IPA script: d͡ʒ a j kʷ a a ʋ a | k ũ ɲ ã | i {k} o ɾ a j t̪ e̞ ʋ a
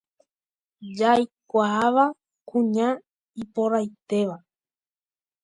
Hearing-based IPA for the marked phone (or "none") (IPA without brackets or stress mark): p